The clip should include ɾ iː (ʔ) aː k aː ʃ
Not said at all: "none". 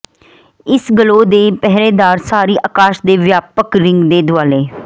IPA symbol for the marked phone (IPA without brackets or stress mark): ʔ